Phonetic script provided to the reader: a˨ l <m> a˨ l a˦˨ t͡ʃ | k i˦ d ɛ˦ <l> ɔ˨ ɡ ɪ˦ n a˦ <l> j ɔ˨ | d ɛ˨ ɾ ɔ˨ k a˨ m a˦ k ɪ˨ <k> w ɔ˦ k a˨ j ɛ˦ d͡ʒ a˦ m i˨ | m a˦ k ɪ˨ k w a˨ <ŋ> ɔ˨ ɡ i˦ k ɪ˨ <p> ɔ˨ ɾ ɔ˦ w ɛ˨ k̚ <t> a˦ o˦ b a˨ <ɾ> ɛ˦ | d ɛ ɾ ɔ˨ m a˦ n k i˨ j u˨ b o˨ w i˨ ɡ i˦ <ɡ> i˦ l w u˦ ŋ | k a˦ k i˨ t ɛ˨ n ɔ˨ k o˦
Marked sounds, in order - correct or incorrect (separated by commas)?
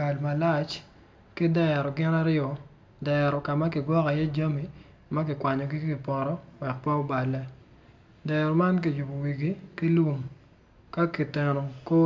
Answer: correct, incorrect, incorrect, incorrect, incorrect, correct, incorrect, incorrect, incorrect